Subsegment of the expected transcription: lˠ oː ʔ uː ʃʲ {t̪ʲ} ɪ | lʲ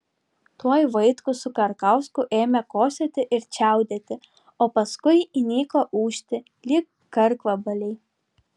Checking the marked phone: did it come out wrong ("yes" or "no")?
no